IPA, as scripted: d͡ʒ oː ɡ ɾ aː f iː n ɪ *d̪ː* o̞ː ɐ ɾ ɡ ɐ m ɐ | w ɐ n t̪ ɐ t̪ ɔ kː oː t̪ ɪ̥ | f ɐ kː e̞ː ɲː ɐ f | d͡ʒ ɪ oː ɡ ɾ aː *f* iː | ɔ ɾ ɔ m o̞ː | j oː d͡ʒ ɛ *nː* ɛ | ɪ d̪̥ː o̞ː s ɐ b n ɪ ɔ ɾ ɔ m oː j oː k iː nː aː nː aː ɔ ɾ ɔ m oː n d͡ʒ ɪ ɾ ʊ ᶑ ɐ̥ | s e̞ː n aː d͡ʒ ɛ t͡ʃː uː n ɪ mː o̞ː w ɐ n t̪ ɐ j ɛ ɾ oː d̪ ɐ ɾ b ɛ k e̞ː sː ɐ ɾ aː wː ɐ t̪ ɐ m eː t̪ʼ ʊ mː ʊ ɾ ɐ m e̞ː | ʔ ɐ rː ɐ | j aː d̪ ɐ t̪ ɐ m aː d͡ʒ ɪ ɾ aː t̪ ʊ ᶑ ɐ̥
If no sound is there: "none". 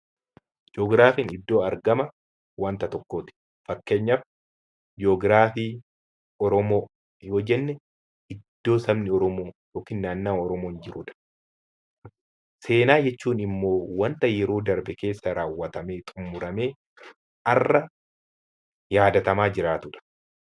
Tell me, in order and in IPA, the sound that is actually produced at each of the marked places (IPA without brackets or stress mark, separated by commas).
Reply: d̪ː, f, nː